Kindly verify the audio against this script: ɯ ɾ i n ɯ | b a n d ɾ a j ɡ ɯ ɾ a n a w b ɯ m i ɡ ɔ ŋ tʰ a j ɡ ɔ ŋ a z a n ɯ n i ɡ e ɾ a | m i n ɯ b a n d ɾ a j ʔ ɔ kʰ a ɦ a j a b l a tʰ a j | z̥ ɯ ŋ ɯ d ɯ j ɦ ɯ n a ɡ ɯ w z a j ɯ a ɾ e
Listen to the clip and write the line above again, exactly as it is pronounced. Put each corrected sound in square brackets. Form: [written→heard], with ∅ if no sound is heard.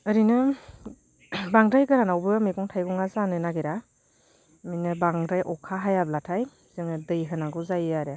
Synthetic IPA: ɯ ɾ i n ɯ | b a [n→ŋ] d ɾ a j ɡ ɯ ɾ a n a w b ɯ m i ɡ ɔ ŋ tʰ a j ɡ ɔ ŋ a z a n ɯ n [i→a] ɡ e ɾ a | m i n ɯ b a [n→ŋ] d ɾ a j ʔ ɔ kʰ a ɦ a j a b l a tʰ a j | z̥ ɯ ŋ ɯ d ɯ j ɦ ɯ n a ɡ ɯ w z a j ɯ a ɾ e